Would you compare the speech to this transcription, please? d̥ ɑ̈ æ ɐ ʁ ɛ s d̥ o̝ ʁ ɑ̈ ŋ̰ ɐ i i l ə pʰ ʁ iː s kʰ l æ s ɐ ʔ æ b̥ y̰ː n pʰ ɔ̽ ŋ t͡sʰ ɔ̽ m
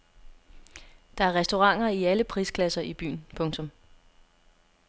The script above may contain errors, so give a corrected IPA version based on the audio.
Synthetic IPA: d̥ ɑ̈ æ ɐ ʁ ɛ s d̥ o̝ ʁ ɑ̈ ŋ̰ ɐ i æ l ə pʰ ʁ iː s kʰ l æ s ɐ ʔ i b̥ y̰ː n pʰ ɔ̽ ŋ t͡sʰ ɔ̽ m

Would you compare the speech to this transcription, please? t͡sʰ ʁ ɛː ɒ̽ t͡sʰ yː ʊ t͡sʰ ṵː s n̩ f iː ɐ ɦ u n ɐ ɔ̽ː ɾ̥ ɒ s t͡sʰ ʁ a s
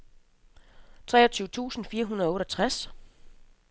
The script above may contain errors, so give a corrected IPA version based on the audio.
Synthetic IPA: t͡sʰ ʁ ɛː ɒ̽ t͡sʰ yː ʊ t͡sʰ ṵː s n̩ f iː ɐ ɦ u n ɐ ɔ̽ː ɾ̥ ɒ t͡sʰ ʁ a s

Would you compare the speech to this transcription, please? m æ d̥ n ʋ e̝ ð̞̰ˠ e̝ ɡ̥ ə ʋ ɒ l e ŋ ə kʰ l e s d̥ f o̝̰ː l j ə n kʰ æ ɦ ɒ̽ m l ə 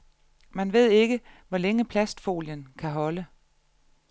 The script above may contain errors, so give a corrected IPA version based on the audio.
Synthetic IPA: m æ n ʋ e̝ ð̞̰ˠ e̝ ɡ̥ ə ʋ ɒ l e ŋ ə pʰ l æ s d̥ f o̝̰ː l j ə n kʰ æ ɦ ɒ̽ l ə

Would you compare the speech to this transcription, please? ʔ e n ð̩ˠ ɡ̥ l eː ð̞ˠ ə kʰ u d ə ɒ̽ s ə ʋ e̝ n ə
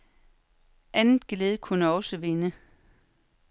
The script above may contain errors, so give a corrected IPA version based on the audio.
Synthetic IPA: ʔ æ n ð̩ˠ ɡ̥ l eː ð̞ˠ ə kʰ u n ə ɒ̽ s ə ʋ e̝ n ə

